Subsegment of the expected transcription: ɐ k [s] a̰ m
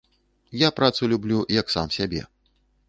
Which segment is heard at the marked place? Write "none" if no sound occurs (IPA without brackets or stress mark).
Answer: s